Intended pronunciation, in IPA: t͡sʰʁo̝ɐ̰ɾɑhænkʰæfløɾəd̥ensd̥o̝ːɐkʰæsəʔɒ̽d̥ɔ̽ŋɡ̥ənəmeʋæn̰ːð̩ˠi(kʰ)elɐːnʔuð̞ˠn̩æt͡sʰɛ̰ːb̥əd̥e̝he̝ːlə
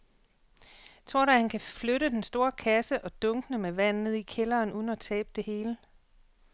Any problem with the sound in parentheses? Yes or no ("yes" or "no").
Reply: no